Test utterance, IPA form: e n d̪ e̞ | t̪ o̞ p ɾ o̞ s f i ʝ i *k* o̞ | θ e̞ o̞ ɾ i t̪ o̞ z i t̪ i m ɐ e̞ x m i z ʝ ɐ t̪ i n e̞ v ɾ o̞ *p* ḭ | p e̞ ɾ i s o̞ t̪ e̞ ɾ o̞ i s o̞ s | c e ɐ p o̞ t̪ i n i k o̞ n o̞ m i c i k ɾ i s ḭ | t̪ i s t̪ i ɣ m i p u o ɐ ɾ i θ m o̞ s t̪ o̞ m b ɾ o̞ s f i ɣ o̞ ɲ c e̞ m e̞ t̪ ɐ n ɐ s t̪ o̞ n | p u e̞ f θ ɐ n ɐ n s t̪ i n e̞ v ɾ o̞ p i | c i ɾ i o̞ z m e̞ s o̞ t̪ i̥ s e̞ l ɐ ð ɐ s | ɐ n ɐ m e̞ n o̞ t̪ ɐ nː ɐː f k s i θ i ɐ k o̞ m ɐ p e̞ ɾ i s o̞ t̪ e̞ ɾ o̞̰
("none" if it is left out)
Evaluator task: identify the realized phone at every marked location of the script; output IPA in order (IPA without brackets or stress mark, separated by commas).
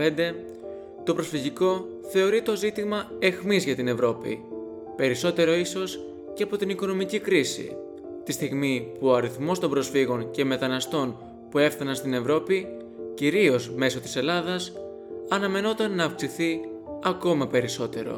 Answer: k, p